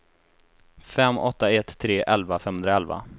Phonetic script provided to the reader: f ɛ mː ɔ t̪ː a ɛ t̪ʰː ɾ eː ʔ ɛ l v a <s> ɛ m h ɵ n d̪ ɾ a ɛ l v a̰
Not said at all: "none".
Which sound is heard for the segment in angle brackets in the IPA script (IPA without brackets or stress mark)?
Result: f